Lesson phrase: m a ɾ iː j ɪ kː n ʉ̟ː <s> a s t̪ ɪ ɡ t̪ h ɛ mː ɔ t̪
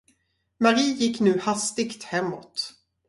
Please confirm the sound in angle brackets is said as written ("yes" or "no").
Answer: no